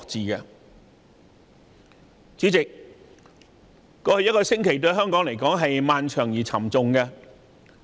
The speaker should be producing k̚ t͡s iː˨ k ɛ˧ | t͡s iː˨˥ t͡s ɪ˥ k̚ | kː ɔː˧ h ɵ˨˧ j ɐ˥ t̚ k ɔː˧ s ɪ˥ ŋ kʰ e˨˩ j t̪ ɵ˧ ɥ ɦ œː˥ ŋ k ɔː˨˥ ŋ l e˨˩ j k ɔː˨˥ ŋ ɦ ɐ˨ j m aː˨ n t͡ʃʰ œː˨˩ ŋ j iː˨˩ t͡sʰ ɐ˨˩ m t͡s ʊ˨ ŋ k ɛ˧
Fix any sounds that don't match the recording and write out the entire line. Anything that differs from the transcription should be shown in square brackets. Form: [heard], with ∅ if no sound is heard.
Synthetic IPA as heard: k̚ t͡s iː˨ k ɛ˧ | t͡s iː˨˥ t͡s [ɪ˨] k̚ | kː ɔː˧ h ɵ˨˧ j ɐ˥ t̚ k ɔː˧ s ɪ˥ ŋ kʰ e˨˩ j t̪ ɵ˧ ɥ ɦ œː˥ ŋ k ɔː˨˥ ŋ l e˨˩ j k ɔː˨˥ ŋ ɦ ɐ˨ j m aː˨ n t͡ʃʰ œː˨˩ ŋ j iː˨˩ t͡sʰ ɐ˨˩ m t͡s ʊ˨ ŋ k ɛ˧